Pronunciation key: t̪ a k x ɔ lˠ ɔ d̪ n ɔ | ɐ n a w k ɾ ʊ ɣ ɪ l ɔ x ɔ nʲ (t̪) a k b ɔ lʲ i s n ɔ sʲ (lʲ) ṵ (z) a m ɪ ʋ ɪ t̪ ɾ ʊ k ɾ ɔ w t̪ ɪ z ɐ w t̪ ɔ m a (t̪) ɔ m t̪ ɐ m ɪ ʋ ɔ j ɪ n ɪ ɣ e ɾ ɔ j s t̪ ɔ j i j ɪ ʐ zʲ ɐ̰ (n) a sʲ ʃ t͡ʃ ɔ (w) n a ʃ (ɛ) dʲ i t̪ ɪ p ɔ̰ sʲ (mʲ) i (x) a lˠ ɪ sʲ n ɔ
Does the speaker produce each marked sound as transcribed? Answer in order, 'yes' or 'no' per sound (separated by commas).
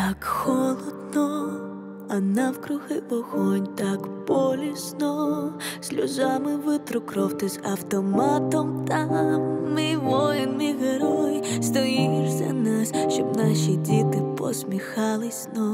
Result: yes, yes, yes, yes, yes, no, no, yes, yes